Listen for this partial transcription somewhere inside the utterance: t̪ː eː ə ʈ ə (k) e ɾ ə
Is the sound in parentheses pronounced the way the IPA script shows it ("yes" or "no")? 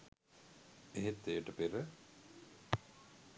no